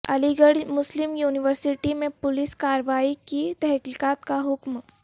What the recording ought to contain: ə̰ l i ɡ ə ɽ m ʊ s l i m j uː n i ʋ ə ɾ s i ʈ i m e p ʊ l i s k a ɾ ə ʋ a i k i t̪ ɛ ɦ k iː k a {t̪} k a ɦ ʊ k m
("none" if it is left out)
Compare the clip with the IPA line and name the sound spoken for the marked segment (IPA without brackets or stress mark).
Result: t̪